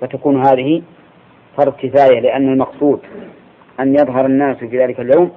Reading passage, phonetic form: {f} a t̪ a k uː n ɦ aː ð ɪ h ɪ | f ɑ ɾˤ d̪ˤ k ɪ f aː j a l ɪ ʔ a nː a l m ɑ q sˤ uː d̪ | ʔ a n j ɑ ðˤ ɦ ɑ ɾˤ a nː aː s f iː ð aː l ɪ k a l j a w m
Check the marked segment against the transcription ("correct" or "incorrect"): correct